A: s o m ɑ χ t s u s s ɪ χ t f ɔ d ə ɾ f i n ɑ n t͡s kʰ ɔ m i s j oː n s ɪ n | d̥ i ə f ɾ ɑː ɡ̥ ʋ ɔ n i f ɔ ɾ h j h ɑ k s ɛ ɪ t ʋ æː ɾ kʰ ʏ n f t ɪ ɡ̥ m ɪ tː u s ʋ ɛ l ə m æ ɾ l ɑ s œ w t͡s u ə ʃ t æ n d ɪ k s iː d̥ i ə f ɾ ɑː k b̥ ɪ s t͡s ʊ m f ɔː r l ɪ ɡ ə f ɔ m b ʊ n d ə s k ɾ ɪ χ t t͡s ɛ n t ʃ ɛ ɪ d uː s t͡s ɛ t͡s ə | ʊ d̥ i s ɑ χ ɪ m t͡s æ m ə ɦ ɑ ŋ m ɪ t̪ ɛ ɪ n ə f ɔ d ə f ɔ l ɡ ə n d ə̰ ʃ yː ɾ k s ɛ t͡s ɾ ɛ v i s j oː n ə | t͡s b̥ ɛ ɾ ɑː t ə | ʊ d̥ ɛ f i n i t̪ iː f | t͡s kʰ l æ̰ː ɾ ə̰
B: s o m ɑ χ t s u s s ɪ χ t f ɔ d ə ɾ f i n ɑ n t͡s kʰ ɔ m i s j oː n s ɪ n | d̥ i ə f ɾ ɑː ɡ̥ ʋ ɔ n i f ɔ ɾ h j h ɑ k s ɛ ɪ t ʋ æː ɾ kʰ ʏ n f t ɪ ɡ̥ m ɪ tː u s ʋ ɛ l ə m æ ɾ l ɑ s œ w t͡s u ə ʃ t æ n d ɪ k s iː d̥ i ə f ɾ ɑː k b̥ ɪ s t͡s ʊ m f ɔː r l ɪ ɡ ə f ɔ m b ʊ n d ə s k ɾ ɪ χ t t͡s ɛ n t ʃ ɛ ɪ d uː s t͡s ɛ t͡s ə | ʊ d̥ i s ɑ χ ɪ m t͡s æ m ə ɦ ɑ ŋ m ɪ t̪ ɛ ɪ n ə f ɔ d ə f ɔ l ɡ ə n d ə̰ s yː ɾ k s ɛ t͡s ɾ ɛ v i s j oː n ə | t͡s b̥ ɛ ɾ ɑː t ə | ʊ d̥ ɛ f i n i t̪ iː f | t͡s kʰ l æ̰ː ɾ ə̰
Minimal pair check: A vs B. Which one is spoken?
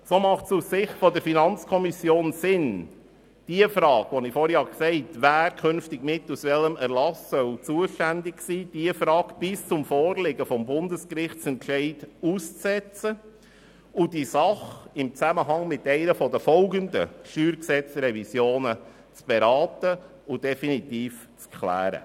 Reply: A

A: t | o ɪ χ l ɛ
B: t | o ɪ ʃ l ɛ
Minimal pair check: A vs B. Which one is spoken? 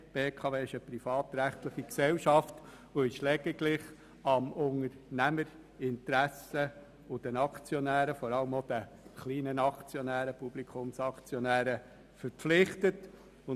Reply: B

